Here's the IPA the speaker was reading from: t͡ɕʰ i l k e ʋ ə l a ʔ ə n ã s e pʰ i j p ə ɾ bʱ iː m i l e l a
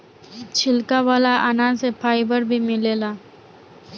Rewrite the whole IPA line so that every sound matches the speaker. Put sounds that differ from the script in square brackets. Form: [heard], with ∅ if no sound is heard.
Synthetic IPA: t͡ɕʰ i l k [a] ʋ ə l a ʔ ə n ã s e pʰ [a] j [b] ə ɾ bʱ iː m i l e l a